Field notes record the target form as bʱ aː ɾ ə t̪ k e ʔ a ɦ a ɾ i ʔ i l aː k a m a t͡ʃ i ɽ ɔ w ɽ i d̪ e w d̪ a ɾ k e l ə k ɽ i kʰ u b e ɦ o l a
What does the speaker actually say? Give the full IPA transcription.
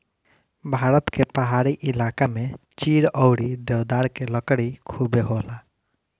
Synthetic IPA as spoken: bʱ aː ɾ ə t̪ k e p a ɦ a ɾ i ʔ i l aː k a m e t͡ʃ i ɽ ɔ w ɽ i d̪ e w d̪ a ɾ k e l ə k ɽ i kʰ u b e ɦ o l a